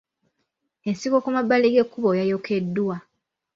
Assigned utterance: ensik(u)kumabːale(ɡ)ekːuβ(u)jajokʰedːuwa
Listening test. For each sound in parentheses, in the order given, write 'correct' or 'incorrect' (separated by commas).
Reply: incorrect, correct, incorrect